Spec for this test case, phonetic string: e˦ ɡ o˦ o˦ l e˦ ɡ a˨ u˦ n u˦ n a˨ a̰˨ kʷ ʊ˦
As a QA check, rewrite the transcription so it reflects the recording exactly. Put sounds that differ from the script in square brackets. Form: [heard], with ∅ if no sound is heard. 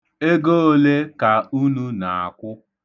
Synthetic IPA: e˦ ɡ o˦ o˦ l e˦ [k] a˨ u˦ n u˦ n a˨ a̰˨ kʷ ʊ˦